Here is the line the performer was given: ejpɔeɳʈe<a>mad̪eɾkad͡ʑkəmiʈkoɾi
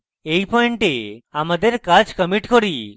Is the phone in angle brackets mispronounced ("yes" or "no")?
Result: no